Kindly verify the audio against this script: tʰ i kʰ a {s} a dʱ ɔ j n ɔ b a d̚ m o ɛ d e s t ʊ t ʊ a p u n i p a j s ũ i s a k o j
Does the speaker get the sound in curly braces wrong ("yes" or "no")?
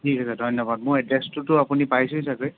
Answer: no